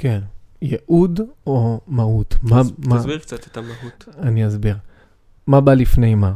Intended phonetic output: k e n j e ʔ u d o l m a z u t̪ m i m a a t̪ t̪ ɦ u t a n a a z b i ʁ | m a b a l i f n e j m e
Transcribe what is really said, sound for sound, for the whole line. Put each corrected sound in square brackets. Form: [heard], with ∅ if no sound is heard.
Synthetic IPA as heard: k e n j e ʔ u d o [∅] m a [∅] u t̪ m [a] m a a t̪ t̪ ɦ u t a n [i] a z b i ʁ | m a b a l i f n e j m [a]